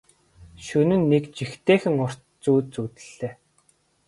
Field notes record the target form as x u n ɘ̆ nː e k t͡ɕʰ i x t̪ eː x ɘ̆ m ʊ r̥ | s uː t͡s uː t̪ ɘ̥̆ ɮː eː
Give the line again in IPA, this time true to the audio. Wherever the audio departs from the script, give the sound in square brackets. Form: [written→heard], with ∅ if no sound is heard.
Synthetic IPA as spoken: [x→ʃ] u n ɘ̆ nː e k [t͡ɕʰ→t͡ɕ] i x t̪ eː x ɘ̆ [m→ŋ] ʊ r̥ | [s→t͡s] uː t͡s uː t̪ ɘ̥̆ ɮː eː